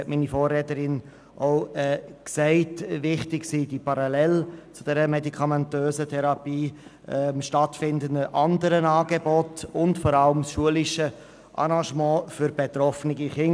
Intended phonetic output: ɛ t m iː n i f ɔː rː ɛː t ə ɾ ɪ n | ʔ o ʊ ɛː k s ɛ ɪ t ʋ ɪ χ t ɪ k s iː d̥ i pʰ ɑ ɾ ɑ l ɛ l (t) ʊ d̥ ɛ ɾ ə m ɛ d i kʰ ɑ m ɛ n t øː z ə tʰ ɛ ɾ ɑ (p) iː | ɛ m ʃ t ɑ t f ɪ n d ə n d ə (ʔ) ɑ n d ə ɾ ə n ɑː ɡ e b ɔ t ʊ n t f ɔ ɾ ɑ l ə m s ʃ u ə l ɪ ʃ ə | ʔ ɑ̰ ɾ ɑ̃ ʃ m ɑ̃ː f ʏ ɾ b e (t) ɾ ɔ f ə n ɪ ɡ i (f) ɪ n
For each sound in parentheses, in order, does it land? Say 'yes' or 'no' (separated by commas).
no, yes, yes, yes, no